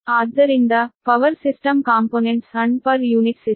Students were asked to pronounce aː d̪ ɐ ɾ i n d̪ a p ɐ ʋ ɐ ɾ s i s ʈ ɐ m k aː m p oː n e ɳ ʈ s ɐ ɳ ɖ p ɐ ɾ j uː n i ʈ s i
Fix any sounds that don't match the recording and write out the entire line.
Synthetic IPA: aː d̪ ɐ ɾ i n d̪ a p ɐ ʋ ɐ ɾ s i s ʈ ɐ m k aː m p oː n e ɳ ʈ s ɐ ɳ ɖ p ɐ ɾ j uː n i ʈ s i